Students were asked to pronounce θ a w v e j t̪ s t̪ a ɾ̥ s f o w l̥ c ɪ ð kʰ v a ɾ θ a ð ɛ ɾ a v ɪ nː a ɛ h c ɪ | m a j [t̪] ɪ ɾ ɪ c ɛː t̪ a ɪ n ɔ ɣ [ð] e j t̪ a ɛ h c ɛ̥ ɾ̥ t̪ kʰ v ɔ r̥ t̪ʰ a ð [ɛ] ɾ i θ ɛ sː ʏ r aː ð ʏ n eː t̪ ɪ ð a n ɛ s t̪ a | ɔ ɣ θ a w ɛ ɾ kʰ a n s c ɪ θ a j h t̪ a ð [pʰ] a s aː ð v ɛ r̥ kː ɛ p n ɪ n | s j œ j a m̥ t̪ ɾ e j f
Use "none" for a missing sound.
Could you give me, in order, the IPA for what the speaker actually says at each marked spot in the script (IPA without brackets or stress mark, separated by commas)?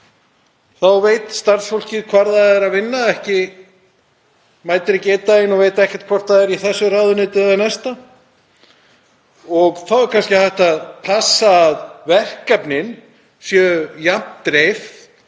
t̪, v, ɛ, pʰ